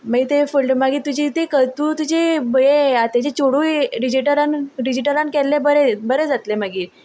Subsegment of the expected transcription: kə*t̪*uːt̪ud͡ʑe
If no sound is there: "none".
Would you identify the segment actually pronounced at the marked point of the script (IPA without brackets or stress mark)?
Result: t̪